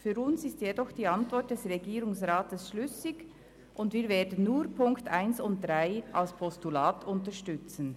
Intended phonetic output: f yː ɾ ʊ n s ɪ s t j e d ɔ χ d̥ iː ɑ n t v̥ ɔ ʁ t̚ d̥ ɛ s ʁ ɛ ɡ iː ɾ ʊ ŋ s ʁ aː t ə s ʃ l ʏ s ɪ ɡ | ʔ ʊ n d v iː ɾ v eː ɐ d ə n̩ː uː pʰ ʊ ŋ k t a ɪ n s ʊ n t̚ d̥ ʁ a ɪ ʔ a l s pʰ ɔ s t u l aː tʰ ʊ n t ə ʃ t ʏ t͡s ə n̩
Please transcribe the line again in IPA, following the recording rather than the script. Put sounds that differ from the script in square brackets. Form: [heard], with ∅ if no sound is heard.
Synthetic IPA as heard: f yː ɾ ʊ n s ɪ s t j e d ɔ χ d̥ iː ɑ n t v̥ ɔ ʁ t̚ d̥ ɛ s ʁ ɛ ɡ iː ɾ ʊ ŋ s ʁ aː t ə s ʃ l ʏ s ɪ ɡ | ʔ ʊ n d v iː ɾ v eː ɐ d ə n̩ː uː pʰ ʊ ŋ k t a ɪ n s ʊ n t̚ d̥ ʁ a ɪ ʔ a l s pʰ ɔ s t u l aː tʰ ʊ n t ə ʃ t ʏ t͡s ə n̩